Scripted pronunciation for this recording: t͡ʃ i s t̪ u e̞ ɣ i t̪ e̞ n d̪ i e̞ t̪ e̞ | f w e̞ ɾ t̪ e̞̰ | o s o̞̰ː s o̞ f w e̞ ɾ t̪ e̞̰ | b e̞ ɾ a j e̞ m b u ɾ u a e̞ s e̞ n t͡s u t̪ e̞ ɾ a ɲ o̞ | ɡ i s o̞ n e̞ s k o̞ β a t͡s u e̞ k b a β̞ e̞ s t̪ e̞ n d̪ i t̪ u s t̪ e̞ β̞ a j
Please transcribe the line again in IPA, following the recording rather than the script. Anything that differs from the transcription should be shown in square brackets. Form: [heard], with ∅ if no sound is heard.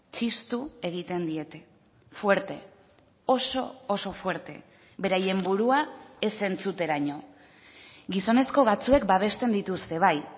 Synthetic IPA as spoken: t͡ʃ i s t̪ u e̞ ɣ i t̪ e̞ n d̪ i e̞ t̪ e̞ | f w e̞ ɾ t̪ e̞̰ | o s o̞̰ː s o̞ f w e̞ ɾ t̪ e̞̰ | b e̞ ɾ a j e̞ m b u ɾ u a e̞ s e̞ n t͡s u t̪ e̞ ɾ a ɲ o̞ | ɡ i s o̞ n e̞ s k o̞ β a t͡s u e̞ k b a β̞ e̞ s t̪ e̞ n d̪ i t̪ u s t̪ e̞ β̞ a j